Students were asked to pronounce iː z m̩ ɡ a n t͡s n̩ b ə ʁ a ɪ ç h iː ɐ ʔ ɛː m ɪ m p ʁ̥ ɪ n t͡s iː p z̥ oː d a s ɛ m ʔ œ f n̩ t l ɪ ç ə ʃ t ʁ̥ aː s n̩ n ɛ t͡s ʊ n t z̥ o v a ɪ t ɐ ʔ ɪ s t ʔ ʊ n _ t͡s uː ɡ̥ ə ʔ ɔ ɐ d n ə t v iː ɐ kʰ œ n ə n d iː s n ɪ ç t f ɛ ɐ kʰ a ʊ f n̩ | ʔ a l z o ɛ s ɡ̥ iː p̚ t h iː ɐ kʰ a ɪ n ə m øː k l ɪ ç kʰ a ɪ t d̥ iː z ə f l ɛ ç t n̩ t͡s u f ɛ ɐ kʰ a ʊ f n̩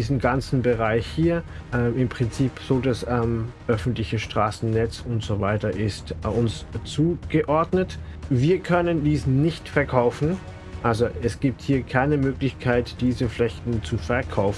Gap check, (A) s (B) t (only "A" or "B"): A